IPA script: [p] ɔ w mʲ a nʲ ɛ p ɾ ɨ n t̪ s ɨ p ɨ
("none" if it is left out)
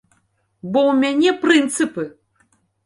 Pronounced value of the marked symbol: b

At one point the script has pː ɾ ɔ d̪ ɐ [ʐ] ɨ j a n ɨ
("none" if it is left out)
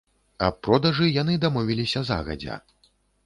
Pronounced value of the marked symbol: ʐ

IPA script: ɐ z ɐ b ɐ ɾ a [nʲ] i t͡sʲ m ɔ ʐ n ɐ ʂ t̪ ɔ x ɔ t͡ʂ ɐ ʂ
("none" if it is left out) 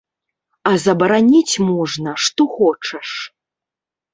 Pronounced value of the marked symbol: nʲ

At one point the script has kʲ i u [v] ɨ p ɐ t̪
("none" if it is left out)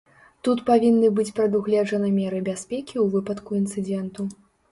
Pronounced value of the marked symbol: v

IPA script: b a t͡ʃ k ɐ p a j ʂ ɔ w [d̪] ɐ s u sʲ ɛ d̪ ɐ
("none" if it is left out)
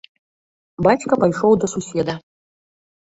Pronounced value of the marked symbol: d̪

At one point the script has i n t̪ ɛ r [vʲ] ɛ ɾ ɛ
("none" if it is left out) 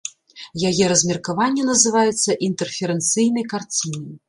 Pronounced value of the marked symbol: fʲ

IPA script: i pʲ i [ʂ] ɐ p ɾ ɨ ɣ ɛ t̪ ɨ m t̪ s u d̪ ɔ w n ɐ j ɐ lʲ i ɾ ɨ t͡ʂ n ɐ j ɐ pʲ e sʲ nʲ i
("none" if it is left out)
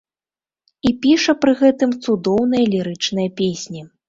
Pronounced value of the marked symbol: ʂ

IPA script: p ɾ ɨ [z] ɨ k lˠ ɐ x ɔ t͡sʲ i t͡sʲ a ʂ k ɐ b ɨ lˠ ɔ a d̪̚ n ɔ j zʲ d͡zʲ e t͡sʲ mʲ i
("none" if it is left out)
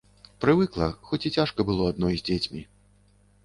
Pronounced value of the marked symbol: v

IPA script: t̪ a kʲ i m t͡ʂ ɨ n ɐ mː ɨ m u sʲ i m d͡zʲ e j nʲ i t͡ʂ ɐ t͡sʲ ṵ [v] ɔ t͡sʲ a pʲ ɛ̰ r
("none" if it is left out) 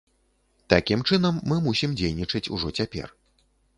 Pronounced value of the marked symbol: ʐ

